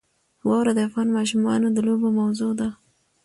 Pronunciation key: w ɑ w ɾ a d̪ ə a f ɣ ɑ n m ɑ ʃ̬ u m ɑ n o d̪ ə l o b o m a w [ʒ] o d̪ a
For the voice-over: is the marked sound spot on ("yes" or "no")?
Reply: no